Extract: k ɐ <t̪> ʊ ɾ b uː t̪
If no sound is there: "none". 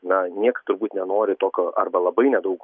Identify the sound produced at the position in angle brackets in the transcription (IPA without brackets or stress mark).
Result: t̪